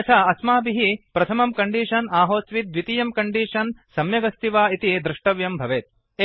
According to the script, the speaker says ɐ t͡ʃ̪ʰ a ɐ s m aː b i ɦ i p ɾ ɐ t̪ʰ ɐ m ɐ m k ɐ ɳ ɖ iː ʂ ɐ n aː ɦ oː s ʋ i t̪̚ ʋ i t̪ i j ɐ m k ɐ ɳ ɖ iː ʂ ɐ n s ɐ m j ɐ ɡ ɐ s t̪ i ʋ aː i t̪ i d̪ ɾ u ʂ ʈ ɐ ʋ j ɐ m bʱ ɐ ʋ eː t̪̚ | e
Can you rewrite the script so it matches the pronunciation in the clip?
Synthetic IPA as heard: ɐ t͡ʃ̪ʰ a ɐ s m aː b i ɦ i p ɾ ɐ t̪ʰ ɐ m ɐ m k ɐ ɳ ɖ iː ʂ ɐ n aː ɦ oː s ʋ i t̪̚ ʋ i t̪ i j ɐ m k ɐ ɳ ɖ iː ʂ ɐ n s ɐ m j ɐ ɡ ɐ s t̪ i ʋ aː i t̪ i d̪ ɾ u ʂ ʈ ɐ ʋ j ɐ m bʱ ɐ ʋ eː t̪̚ | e